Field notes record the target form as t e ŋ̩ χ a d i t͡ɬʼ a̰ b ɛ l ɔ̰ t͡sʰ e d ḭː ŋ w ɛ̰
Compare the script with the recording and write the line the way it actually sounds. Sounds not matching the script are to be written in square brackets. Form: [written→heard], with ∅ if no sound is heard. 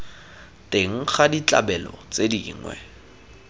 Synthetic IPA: t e ŋ̩ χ a d i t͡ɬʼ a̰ b ɛ l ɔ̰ [t͡sʰ→t͡s] e d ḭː ŋ w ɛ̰